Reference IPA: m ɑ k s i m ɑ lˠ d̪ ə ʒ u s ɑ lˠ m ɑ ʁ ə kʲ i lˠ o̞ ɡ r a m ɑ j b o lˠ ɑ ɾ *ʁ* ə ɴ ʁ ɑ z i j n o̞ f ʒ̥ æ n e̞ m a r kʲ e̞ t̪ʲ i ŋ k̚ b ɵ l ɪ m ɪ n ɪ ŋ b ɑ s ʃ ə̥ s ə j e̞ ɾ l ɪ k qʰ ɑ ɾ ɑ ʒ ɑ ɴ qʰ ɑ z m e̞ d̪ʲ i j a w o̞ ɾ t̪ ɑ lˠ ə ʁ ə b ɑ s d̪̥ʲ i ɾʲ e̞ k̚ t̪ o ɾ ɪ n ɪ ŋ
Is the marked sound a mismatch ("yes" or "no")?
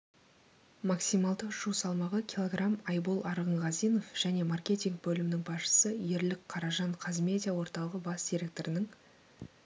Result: no